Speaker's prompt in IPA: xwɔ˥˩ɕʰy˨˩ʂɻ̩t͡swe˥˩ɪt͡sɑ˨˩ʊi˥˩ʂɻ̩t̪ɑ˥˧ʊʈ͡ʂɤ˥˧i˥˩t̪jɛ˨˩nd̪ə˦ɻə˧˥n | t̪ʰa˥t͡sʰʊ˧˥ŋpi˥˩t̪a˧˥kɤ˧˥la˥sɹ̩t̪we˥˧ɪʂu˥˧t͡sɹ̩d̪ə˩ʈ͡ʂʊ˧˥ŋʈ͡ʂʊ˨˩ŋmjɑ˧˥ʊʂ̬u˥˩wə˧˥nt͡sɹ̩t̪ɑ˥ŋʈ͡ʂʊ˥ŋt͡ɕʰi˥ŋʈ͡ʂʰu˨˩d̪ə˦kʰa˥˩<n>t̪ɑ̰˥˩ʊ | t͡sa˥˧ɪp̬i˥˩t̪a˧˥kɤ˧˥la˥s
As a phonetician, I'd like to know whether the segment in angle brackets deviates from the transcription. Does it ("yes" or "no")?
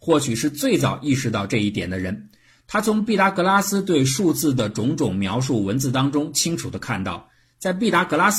no